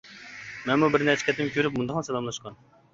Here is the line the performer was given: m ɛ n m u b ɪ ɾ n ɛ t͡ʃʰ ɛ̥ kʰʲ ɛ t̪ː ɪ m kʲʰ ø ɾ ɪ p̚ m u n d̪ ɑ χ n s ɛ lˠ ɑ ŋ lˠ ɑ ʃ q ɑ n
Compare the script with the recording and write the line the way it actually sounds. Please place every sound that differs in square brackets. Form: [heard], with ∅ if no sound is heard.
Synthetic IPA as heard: m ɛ n m u b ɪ ɾ n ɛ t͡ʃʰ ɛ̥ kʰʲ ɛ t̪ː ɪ m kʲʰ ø ɾ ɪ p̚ m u n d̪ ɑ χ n s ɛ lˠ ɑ [m] lˠ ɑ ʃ q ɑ n